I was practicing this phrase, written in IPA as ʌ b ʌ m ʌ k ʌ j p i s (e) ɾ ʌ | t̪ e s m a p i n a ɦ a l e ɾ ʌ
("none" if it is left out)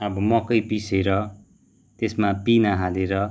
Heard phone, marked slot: e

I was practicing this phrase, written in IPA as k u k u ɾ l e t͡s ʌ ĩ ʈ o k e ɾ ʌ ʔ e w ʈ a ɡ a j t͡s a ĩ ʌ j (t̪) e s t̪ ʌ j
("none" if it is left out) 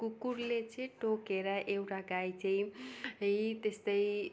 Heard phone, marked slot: t̪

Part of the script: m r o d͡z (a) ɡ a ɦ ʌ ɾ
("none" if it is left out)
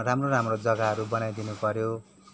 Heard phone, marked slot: ʌ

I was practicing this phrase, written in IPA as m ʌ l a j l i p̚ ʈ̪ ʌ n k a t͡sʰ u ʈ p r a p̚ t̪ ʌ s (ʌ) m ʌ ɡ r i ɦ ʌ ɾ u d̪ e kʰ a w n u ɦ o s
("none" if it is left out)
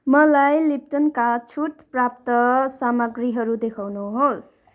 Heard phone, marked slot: a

